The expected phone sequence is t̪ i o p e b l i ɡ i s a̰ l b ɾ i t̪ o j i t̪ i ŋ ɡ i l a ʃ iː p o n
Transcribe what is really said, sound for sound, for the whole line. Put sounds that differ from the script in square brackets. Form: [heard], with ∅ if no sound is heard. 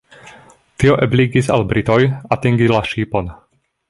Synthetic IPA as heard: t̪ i o [ʔ] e b l i ɡ i s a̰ l b ɾ i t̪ o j [a] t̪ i ŋ ɡ i l a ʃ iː p o n